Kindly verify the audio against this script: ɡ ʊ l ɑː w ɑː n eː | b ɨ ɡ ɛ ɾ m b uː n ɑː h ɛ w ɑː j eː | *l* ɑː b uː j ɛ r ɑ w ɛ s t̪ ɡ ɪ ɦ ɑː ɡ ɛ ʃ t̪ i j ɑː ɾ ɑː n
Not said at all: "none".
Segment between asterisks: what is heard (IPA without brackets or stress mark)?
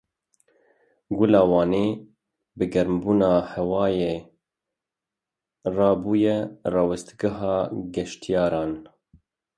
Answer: r